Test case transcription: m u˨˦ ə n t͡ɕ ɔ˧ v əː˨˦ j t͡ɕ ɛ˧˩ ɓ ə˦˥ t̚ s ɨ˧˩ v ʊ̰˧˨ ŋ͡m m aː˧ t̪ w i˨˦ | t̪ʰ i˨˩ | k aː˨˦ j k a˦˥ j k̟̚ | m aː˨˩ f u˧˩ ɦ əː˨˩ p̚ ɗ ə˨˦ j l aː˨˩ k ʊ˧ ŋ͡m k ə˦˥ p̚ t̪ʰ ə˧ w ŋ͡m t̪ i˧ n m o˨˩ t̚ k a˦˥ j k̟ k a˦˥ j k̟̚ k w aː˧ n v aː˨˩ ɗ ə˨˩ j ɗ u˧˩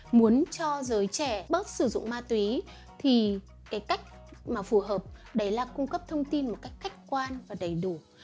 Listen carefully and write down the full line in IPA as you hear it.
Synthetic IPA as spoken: m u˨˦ ə n t͡ɕ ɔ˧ z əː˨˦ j t͡ɕ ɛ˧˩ ɓ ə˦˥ t̚ s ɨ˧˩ z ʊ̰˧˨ ŋ͡m m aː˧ t̪ w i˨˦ | t̪ʰ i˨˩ | k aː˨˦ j k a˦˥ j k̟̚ | m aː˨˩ f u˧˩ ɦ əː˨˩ p̚ ɗ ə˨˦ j l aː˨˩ k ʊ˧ ŋ͡m k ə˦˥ p̚ t̪ʰ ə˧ w ŋ͡m t̪ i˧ n m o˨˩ t̚ k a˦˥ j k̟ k a˦˥ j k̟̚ k w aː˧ n v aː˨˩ ɗ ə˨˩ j ɗ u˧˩

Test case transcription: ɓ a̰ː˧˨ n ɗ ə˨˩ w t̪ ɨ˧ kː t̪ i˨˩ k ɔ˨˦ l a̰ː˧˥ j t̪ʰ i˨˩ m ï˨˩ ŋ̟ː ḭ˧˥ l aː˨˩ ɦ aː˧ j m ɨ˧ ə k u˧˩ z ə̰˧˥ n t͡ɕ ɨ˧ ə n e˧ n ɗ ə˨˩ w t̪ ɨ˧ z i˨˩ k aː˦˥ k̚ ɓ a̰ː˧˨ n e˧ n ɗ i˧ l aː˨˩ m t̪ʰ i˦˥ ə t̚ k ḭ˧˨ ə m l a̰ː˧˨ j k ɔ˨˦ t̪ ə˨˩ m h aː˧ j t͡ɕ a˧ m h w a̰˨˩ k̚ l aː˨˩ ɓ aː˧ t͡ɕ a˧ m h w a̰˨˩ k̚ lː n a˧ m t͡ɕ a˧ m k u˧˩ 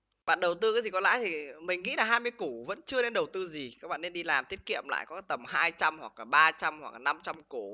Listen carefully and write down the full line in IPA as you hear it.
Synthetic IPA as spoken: ɓ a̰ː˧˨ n ɗ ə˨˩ w t̪ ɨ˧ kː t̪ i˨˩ k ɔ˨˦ l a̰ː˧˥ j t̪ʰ i˨˩ m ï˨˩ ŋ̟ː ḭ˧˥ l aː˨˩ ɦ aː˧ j m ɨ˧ ə k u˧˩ v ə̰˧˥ n t͡ɕ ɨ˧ ə n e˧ n ɗ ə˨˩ w t̪ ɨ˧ z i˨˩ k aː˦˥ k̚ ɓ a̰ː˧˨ n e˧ n ɗ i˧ l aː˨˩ m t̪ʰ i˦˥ ə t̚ k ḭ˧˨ ə m l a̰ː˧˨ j k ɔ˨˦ t̪ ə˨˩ m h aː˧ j t͡ɕ a˧ m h w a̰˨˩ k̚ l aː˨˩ ɓ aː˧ t͡ɕ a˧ m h w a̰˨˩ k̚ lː n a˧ m t͡ɕ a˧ m k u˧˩

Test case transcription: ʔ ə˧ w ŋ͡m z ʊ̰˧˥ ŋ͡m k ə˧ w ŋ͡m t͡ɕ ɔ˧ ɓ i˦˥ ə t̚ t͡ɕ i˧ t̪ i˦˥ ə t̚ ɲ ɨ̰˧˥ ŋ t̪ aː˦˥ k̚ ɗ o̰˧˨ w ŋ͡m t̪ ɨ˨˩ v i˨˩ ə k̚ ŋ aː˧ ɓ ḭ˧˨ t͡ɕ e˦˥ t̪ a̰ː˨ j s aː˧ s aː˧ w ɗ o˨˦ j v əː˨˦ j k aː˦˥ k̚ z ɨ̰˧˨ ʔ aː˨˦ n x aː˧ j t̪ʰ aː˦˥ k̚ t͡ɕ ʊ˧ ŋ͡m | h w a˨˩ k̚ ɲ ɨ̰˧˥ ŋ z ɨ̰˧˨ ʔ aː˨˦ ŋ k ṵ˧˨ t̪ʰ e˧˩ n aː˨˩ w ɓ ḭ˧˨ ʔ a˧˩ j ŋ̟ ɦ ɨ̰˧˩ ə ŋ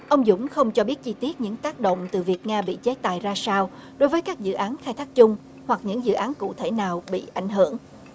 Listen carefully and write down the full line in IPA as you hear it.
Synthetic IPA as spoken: ʔ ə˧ w ŋ͡m z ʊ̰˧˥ ŋ͡m x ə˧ w ŋ͡m t͡ɕ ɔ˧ ɓ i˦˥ ə t̚ t͡ɕ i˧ t̪ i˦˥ ə t̚ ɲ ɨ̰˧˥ ŋ t̪ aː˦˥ k̚ ɗ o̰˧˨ w ŋ͡m t̪ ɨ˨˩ v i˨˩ ə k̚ ŋ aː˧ ɓ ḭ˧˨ t͡ɕ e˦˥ t̪ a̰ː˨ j z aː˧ s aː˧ w ɗ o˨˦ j v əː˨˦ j k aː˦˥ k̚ z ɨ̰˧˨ ʔ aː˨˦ n x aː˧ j t̪ʰ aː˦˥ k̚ t͡ɕ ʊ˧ ŋ͡m | h w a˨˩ k̚ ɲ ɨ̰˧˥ ŋ z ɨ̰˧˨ ʔ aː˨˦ n k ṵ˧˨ t̪ʰ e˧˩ n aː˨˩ w ɓ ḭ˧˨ ʔ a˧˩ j ŋ̟ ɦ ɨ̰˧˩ ə ŋ

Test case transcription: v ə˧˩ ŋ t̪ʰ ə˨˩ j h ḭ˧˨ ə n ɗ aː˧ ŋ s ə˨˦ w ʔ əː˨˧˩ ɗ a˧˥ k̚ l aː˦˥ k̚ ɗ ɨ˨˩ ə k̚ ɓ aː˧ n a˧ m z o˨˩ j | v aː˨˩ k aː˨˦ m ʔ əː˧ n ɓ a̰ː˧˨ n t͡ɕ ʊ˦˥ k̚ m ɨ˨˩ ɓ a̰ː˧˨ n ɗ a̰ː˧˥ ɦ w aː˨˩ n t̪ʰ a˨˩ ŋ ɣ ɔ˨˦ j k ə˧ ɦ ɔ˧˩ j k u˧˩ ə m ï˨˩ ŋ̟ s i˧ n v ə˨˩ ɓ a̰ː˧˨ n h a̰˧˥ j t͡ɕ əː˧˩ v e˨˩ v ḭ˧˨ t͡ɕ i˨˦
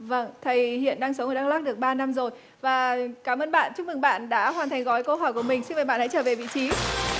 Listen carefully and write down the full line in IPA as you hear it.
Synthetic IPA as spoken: v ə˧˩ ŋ t̪ʰ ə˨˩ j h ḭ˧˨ ə n ɗ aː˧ ŋ s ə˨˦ w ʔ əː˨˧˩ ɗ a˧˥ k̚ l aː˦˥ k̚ ɗ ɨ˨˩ ə k̚ ɓ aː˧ n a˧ m z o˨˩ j | v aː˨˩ k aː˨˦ m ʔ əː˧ n ɓ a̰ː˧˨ n t͡ɕ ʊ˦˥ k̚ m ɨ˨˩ ɓ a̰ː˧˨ n ɗ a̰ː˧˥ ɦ w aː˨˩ n t̪ʰ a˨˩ ŋ ɣ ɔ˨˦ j k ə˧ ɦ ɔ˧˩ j k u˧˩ ə m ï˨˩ ŋ̟ s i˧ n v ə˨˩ ɓ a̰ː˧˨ n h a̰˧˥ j t͡ɕ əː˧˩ v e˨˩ v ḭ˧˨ t͡ɕ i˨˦

